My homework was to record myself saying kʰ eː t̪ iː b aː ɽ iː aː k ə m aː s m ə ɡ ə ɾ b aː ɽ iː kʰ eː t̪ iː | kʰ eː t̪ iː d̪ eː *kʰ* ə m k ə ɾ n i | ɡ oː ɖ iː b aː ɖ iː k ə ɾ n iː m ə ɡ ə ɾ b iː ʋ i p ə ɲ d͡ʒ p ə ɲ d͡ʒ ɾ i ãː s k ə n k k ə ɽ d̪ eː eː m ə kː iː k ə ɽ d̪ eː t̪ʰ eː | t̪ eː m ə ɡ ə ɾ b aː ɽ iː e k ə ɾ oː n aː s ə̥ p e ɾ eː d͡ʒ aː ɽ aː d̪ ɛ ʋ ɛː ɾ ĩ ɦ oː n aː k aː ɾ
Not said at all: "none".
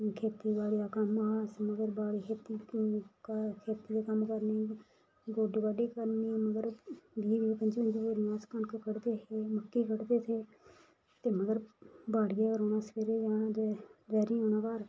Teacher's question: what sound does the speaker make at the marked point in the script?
k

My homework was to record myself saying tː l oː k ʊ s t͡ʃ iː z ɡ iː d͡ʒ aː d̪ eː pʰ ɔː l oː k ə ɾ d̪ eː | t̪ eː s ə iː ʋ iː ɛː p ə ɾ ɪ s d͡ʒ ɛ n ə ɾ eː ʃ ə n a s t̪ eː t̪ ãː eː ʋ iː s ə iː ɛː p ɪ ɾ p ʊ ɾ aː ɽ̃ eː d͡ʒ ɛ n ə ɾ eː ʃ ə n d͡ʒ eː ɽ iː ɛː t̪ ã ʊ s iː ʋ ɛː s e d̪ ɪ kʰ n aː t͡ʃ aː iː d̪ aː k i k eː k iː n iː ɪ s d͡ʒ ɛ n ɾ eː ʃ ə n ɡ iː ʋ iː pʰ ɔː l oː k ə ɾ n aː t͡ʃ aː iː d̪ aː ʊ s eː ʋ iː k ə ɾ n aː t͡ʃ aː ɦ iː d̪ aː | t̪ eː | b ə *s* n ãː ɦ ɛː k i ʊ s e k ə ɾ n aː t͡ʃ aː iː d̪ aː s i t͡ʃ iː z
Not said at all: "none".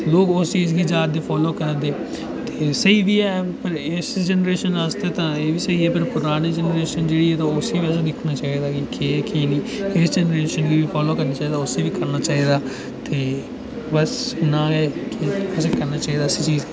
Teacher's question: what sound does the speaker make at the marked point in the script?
s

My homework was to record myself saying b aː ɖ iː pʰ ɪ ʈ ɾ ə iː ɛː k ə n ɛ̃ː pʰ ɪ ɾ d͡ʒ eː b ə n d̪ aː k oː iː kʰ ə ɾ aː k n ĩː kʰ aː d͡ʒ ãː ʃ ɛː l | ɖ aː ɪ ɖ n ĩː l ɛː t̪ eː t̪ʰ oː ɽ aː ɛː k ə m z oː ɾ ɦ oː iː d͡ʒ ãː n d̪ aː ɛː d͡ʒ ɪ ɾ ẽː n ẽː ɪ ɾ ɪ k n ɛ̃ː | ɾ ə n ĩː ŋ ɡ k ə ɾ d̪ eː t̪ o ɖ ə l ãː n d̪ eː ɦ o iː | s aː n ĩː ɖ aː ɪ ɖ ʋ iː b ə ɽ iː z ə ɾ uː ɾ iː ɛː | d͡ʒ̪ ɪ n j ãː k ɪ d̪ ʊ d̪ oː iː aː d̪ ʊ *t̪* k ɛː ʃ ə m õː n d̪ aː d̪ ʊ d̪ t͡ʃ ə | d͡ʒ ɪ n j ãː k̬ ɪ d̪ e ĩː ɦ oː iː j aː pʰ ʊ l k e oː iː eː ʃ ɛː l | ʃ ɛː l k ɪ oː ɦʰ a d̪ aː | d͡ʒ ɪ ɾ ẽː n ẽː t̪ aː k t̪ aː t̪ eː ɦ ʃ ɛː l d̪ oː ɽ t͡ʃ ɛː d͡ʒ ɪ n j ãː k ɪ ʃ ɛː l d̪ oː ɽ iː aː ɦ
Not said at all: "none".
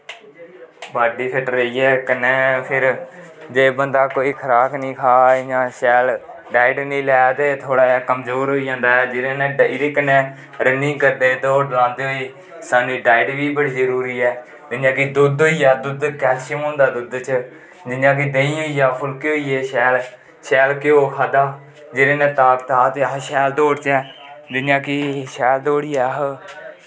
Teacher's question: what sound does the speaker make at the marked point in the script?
d̪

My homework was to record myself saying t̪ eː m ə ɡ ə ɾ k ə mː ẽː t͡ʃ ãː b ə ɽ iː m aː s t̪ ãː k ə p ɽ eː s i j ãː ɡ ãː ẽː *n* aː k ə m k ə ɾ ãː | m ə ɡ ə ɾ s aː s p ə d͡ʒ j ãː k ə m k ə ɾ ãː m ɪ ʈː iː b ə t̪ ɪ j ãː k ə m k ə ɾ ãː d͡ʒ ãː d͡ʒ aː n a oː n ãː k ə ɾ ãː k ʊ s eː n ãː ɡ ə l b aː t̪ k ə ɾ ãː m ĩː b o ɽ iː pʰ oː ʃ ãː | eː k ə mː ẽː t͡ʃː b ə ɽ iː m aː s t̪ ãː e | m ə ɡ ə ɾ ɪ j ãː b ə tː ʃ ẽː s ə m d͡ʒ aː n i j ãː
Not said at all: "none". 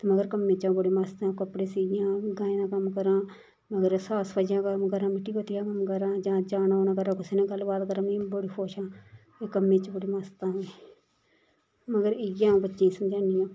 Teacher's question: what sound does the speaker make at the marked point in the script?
n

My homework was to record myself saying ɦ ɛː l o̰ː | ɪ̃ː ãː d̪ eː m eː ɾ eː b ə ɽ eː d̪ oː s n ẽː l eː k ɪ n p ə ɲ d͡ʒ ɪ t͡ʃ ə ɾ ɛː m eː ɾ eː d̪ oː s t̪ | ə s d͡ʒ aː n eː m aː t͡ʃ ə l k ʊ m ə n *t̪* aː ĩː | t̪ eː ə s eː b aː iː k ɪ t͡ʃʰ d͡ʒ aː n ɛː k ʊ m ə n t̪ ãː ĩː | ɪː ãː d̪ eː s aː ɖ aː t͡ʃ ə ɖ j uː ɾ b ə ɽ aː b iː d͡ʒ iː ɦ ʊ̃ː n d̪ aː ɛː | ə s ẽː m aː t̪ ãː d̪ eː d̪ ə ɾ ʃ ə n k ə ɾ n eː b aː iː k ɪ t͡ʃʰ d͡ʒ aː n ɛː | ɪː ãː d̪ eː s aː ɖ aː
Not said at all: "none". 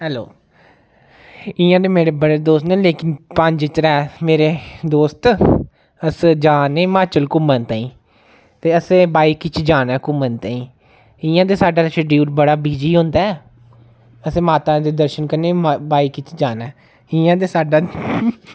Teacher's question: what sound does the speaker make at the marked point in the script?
t̪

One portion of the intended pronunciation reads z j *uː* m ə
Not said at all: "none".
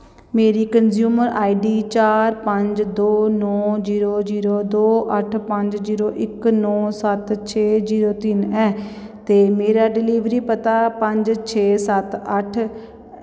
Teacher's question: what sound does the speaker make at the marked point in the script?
uː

